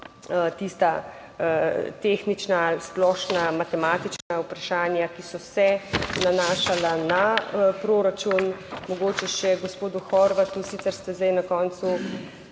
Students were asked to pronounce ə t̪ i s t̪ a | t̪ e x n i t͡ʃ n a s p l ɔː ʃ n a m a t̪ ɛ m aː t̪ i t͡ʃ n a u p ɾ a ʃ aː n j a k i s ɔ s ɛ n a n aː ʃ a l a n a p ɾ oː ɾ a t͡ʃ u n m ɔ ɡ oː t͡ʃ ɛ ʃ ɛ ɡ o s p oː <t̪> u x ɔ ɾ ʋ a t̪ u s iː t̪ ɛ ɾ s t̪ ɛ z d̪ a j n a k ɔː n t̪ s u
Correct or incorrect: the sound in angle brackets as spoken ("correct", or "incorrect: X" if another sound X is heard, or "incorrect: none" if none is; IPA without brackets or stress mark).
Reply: incorrect: d̪